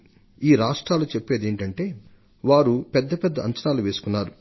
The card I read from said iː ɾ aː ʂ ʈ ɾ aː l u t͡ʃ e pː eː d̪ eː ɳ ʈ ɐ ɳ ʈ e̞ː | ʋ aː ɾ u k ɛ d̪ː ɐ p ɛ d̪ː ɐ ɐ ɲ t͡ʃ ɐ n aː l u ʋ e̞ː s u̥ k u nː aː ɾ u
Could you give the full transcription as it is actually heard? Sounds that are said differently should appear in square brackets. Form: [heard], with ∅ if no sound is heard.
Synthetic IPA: iː ɾ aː ʂ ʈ ɾ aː l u t͡ʃ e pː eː d̪ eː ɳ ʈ ɐ ɳ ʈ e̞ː | ʋ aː ɾ u [p] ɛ d̪ː ɐ p ɛ d̪ː ɐ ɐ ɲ t͡ʃ ɐ n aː l u ʋ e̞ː s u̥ k u nː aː ɾ u